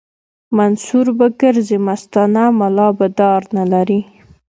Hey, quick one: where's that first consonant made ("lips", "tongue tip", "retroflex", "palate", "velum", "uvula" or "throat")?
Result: lips